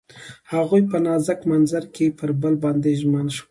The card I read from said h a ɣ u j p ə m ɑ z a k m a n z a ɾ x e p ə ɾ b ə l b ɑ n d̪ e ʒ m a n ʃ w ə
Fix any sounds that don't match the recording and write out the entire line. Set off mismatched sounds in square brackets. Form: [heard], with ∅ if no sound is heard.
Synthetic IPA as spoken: h a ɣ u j p ə [n] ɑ z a k m a n z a ɾ [k] e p ə ɾ b ə l b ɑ n d̪ e ʒ m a n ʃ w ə